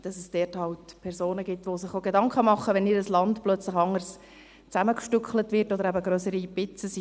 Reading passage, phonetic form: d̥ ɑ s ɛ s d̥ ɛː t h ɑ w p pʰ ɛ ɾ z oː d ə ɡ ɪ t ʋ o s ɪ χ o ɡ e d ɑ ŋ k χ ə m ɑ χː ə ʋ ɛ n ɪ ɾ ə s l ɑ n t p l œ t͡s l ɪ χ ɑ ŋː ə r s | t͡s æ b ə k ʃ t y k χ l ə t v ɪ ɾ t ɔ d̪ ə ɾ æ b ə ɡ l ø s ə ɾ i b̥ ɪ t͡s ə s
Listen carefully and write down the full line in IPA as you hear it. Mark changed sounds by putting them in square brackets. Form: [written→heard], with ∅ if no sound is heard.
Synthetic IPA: d̥ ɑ s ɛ s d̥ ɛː t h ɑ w [p→t] pʰ ɛ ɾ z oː [d→n] ə ɡ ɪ t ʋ o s ɪ χ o ɡ e d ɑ ŋ k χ ə m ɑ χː ə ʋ ɛ n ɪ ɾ ə s l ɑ n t p l œ t͡s l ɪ χ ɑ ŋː ə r s | t͡s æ [b→m] ə k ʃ t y k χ l ə t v ɪ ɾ t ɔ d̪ ə ɾ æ b ə ɡ [l→ɾ] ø s ə ɾ i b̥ ɪ t͡s ə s

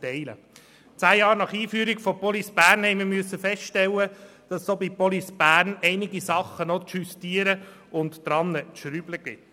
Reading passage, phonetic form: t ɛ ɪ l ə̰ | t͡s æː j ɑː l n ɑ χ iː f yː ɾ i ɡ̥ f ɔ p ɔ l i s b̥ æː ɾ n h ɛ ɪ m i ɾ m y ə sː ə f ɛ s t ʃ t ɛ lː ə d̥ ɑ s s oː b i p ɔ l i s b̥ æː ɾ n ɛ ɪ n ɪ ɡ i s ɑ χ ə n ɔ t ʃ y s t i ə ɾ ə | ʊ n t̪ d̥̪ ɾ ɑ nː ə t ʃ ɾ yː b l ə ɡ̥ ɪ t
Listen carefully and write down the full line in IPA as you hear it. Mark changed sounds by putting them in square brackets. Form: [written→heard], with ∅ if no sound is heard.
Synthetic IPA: t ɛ ɪ l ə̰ | t͡s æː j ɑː [l→ɾ] n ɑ χ iː f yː ɾ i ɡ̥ f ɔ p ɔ l i s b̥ æː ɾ n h ɛ ɪ m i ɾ m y ə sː ə f ɛ s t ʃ t ɛ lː ə d̥ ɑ s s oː b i p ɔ l i s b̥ æː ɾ n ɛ ɪ n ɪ ɡ i s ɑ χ ə n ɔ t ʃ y s t i ə ɾ ə | ʊ n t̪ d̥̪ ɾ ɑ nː ə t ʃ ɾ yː b l ə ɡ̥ ɪ t

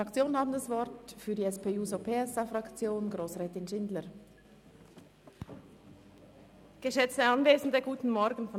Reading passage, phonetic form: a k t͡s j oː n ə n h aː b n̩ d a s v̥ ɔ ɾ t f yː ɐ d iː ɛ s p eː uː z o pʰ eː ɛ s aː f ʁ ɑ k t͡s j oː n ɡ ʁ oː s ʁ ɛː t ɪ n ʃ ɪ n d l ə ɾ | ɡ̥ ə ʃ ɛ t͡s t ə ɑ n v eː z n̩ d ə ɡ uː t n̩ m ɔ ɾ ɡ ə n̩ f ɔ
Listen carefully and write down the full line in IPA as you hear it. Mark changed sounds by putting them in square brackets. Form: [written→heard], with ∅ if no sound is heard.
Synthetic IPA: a k t͡s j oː n ə n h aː b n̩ d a s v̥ ɔ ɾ t f yː ɐ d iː ɛ s p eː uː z o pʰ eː ɛ s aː f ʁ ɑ k t͡s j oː n ɡ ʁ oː s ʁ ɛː t ɪ n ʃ ɪ n d l ə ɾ | ɡ̥ ə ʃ ɛ t͡s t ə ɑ n v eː z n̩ d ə ɡ uː t n̩ m ɔ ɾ ɡ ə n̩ f ɔ

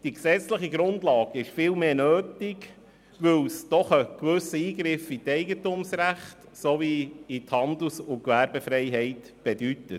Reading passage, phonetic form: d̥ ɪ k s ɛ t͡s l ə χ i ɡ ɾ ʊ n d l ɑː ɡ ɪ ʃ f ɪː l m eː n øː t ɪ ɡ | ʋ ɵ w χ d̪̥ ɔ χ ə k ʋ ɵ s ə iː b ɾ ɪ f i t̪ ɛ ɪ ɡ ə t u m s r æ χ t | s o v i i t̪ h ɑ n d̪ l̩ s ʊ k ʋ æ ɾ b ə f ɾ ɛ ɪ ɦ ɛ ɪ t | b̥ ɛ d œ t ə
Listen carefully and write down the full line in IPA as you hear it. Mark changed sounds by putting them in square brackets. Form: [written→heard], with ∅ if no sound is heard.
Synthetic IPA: d̥ [ɪ→i] k s ɛ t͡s l ə χ i ɡ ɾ ʊ n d l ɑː ɡ ɪ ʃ f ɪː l m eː n øː t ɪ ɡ | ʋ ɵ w [χ→s] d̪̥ ɔ χ ə k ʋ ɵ s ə iː [b→ɡ] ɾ ɪ f i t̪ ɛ ɪ ɡ ə t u m s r æ χ t | s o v i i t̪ h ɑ n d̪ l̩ s ʊ k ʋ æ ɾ b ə f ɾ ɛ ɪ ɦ ɛ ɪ t | b̥ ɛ d [œ→y] t ə

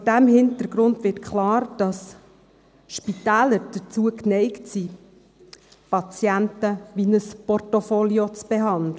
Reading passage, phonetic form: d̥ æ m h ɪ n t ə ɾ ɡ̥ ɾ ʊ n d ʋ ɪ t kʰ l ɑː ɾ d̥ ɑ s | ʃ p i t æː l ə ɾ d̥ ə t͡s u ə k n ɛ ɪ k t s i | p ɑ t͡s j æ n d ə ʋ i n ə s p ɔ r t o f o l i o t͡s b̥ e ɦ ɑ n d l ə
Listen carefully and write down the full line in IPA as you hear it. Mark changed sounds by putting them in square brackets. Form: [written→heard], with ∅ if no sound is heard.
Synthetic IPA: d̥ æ m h ɪ n t ə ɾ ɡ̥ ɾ ʊ n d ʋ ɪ t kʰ l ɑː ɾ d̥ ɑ s | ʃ p i t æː l ə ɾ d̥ ə t͡s u ə k n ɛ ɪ k t s i | p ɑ t͡s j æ n [d→t] ə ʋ i n ə s p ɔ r t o f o l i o t͡s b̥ e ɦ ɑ n d l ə

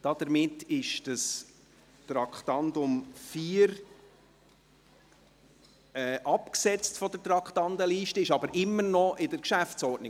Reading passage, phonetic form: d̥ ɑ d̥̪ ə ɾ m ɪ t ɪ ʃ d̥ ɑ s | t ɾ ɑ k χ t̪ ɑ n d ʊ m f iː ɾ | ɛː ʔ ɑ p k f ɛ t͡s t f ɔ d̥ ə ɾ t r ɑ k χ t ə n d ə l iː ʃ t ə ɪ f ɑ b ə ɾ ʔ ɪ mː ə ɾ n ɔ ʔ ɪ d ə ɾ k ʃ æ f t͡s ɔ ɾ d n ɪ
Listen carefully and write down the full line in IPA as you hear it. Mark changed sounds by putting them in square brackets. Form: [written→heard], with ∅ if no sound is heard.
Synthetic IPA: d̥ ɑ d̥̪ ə ɾ m ɪ t ɪ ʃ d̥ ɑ s | t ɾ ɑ k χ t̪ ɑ n d ʊ m f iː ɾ | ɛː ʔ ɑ p k [f→s] ɛ t͡s t f ɔ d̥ ə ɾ t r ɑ k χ t [ə→ɑ] n d ə l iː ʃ t ə ɪ [f→ʃ] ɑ b ə ɾ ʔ ɪ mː ə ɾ n ɔ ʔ ɪ d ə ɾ k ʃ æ f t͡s ɔ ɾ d n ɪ

